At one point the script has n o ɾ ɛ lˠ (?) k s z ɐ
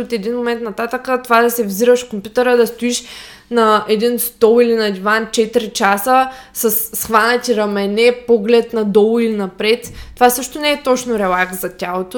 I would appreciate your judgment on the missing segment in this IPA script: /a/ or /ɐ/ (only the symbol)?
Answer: a